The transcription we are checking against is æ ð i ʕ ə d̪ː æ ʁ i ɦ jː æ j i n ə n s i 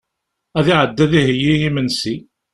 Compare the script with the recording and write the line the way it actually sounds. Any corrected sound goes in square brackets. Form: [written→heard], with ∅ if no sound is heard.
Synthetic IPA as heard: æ ð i ʕ ə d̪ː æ [ʁ→ð] i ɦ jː [æ→i] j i [n→m] ə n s i

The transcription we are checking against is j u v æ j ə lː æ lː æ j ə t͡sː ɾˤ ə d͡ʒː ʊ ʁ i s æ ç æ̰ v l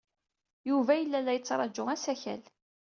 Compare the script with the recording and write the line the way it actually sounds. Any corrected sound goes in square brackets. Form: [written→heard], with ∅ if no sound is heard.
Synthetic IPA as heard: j u v æ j ə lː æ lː æ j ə t͡sː ɾˤ [ə→ɑ] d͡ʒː ʊ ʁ [i→æ] s æ ç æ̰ [v→∅] l

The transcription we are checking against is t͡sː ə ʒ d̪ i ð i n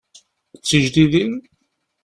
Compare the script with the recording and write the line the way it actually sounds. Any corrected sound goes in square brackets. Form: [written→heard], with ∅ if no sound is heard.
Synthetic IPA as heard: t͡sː ə ʒ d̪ i ð i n

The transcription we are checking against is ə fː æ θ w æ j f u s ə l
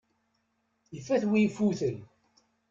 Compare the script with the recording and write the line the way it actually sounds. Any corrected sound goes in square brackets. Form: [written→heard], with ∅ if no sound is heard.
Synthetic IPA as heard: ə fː æ θ w [æ→i] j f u [s→θ] ə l

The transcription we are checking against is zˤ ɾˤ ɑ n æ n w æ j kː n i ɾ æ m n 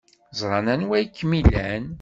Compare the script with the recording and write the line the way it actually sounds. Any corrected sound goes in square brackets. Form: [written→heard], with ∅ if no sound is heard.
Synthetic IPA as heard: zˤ ɾˤ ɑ n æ n w æ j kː [n→m] i [ɾ→l] æ [m→∅] n

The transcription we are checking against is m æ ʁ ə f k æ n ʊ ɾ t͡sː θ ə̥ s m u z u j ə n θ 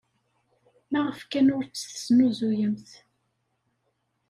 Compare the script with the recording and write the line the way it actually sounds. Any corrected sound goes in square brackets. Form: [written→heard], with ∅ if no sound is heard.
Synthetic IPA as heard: m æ ʁ ə f k æ n ʊ ɾ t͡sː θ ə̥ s [m→n] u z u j ə [n→m] θ

